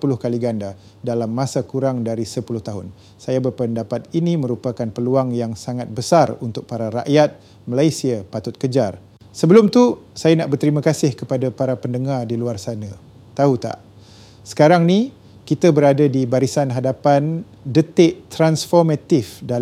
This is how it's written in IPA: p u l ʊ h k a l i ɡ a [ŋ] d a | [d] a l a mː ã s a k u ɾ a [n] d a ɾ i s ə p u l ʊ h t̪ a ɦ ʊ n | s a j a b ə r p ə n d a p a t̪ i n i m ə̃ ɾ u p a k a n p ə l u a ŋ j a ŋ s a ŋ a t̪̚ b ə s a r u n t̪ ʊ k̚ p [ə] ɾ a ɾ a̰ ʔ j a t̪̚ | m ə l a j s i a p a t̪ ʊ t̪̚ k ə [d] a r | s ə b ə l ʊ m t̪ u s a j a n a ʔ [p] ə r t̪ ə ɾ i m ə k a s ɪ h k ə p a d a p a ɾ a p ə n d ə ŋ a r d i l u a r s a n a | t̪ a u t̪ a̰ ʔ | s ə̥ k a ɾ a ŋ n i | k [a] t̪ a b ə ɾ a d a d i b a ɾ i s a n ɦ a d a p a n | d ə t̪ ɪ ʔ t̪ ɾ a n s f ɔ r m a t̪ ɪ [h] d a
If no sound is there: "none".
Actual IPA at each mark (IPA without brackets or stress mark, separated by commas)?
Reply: n, d, ŋ, a, d͡ʒ, b, i, f